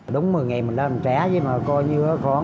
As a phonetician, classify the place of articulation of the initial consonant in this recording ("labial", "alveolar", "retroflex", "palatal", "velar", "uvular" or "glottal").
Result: alveolar